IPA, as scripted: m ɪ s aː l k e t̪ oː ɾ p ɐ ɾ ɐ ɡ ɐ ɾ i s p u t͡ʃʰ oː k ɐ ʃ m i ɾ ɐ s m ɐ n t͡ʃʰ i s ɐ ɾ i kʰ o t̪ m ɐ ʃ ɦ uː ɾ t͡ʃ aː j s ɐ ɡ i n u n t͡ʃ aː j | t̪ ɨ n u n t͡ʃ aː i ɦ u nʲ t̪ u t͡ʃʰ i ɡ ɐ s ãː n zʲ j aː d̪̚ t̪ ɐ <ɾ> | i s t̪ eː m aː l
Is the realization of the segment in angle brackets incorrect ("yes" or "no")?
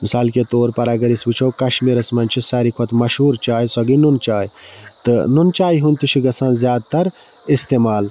no